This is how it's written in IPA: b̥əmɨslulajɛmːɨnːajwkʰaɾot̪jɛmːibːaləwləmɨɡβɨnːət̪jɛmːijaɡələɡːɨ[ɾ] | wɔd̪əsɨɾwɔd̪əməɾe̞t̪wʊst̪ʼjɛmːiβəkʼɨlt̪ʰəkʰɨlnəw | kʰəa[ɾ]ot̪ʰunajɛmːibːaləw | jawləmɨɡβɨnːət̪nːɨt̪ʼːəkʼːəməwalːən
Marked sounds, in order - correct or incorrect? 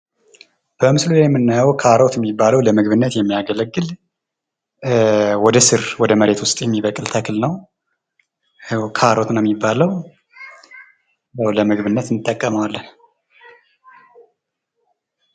incorrect, correct

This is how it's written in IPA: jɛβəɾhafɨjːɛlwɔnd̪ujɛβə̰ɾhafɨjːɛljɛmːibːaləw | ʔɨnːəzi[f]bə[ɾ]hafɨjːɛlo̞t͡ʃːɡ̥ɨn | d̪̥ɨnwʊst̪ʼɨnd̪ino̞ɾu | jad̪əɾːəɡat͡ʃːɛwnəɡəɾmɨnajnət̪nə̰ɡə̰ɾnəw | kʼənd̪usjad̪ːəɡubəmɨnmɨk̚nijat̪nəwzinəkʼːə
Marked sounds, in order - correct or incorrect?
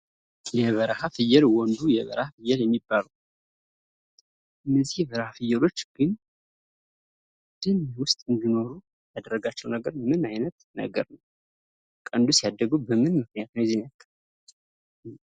incorrect, correct

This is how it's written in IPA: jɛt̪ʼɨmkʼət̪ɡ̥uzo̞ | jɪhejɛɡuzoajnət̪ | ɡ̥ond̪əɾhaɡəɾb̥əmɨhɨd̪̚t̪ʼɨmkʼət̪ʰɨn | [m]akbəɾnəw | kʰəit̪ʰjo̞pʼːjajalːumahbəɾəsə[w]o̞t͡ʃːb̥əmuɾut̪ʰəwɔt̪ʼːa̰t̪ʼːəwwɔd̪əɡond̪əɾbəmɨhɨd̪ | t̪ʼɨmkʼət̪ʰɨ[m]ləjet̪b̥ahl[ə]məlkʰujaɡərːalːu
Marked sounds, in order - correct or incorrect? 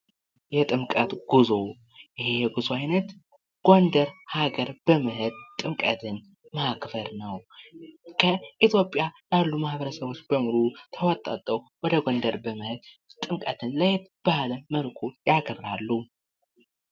correct, incorrect, incorrect, correct

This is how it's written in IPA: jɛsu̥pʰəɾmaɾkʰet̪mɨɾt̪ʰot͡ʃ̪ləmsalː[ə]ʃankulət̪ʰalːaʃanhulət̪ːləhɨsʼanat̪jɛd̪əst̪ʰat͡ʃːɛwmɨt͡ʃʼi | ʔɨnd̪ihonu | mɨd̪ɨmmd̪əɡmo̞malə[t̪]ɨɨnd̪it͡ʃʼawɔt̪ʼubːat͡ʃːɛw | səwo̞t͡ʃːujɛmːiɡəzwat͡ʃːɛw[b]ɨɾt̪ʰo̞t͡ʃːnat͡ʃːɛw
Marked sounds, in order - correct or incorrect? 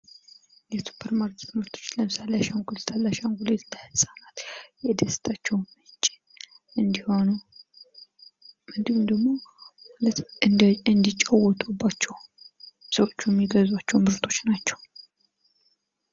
incorrect, correct, incorrect

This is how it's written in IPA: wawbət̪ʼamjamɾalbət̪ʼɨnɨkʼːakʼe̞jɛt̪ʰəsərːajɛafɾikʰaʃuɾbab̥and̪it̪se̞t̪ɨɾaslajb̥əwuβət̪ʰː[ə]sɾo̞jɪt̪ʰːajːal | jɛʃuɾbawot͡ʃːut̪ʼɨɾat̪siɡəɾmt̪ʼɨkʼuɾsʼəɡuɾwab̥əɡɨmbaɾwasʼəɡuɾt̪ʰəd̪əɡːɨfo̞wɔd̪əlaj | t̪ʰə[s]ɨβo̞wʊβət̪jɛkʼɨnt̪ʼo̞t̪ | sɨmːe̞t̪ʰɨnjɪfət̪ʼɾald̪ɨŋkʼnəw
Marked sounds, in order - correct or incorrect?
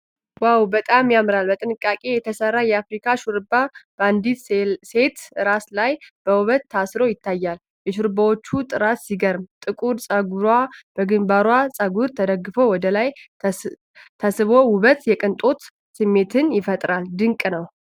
incorrect, correct

